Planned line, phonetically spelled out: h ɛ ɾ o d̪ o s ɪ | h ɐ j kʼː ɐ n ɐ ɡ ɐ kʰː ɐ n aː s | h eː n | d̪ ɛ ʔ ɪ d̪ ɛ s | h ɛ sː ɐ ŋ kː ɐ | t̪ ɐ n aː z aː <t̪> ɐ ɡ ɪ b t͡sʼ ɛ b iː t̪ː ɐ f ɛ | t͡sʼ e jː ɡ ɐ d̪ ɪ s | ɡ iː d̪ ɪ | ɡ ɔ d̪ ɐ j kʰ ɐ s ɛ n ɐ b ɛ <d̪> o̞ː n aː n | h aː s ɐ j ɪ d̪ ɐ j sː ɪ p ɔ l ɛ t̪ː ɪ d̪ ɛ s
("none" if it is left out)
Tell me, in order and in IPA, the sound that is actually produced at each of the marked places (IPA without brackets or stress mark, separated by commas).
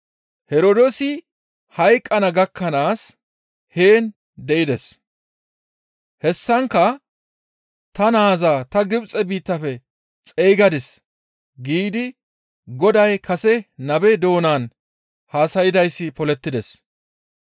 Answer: t̪, d̪